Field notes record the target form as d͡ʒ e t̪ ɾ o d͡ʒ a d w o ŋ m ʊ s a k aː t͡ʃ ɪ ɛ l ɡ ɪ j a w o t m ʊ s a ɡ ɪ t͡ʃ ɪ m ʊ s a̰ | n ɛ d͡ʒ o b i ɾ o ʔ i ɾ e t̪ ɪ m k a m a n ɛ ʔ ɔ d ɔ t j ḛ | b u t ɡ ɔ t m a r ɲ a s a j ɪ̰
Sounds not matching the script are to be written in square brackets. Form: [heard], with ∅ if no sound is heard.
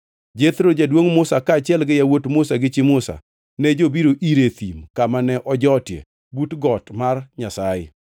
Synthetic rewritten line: d͡ʒ e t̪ ɾ o d͡ʒ a d w o ŋ m ʊ s a k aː t͡ʃ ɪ ɛ l ɡ ɪ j a w o t m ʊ s a ɡ ɪ t͡ʃ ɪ m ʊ s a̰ | n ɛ d͡ʒ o b i ɾ o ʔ i ɾ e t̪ [i] m k a m a n ɛ ʔ ɔ [d͡ʒ] ɔ t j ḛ | b u t ɡ ɔ t m a r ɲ a s a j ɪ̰